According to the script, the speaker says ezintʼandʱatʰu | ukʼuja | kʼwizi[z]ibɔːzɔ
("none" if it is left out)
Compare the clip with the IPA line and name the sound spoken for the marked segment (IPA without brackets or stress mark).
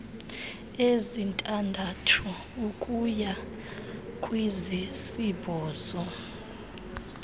s